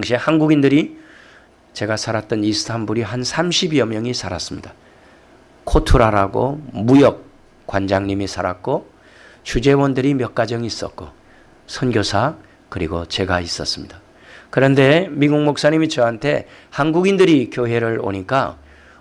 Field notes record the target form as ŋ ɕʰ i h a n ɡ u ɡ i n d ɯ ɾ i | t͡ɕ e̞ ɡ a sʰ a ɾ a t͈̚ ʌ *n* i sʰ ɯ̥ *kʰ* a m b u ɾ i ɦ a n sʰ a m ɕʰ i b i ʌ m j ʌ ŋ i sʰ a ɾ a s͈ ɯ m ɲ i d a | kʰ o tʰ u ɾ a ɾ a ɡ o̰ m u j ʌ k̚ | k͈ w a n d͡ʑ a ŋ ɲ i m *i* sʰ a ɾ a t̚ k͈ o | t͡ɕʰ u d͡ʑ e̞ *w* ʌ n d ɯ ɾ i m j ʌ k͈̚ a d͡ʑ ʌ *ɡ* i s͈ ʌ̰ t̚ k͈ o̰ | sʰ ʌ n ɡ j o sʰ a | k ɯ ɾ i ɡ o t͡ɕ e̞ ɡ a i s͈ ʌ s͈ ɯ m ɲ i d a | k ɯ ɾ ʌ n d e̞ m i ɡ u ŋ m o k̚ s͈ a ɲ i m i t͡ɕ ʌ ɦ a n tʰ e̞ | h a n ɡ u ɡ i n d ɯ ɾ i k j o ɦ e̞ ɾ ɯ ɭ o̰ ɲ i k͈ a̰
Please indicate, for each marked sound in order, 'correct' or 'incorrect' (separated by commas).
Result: correct, incorrect, correct, correct, incorrect